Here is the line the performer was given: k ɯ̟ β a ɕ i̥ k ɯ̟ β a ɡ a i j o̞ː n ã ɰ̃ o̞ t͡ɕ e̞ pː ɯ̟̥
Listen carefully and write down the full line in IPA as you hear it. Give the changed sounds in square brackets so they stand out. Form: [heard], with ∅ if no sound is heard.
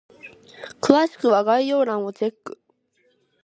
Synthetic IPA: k ɯ̟ β a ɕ i̥ k ɯ̟ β a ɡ a i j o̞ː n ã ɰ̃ o̞ t͡ɕ e̞ [kː] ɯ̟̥